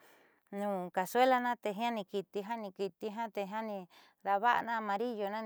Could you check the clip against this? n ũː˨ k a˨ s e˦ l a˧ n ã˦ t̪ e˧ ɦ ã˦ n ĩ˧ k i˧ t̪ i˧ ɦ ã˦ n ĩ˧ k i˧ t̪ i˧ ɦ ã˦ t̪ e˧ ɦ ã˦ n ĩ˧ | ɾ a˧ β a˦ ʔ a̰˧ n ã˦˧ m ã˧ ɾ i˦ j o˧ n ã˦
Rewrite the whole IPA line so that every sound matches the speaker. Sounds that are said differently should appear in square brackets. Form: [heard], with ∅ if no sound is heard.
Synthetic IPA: n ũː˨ k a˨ s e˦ l a˧ n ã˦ t̪ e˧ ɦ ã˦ n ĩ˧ k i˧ t̪ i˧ ɦ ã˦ n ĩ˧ k i˧ t̪ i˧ ɦ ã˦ t̪ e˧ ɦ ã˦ n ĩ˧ | ɾ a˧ β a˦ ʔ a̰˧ n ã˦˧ m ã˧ ɾ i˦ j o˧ n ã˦